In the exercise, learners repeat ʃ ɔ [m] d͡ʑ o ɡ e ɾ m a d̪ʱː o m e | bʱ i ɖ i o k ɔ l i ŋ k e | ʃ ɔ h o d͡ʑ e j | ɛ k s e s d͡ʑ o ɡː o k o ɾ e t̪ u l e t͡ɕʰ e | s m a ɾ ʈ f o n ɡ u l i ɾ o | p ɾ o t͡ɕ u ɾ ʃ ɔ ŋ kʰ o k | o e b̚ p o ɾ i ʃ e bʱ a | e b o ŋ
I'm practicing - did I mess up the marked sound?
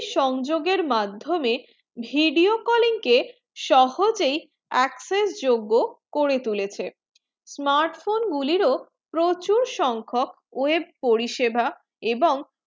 yes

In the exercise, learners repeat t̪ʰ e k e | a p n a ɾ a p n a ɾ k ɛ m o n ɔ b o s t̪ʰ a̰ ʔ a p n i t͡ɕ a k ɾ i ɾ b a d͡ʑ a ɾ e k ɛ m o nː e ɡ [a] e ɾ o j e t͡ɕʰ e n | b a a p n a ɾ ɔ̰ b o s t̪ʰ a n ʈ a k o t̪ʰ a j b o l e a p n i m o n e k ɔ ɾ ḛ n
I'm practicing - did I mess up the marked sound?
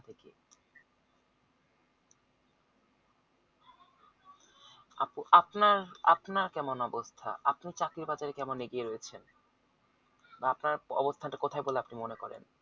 yes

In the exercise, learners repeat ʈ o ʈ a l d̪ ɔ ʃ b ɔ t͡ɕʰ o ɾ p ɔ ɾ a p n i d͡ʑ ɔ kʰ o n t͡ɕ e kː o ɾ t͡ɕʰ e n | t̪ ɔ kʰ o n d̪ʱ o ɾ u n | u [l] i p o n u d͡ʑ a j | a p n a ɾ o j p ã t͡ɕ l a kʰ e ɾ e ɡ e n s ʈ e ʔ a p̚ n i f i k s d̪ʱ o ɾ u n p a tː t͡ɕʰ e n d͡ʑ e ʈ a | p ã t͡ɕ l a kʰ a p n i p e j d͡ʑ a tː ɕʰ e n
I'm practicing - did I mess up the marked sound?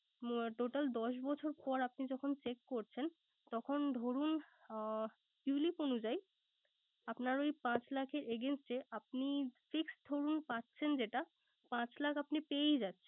no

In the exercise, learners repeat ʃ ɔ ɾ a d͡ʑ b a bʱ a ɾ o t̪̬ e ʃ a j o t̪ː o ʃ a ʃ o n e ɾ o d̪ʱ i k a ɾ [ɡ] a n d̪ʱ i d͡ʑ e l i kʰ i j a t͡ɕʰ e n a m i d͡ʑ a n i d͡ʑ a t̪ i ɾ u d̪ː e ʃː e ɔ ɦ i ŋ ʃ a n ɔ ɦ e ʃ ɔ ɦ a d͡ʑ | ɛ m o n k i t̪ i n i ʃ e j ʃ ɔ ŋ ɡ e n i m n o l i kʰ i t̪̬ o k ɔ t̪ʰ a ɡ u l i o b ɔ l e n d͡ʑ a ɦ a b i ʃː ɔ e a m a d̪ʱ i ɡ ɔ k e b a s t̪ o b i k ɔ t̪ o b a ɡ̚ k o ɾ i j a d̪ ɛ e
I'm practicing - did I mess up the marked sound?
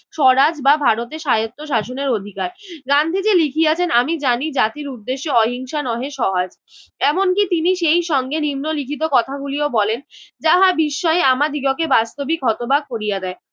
no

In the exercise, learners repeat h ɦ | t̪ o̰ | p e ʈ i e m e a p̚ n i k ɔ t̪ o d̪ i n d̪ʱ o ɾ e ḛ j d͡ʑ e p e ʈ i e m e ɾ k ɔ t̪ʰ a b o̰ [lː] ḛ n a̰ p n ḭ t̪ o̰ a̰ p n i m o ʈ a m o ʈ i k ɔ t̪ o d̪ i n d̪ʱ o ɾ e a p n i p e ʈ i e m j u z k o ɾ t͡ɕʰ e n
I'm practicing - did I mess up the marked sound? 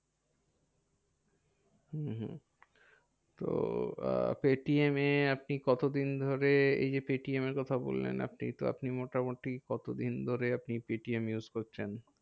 no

